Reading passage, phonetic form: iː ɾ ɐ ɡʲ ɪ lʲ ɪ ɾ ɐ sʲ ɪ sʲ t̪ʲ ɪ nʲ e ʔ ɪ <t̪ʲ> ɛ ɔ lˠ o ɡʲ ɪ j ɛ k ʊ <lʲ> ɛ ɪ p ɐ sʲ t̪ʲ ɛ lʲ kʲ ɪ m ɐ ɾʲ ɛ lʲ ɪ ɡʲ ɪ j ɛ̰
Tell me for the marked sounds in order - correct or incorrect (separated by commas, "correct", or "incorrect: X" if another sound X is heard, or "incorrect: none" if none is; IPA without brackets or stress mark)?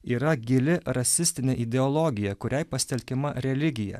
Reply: incorrect: d̪ʲ, incorrect: ɾʲ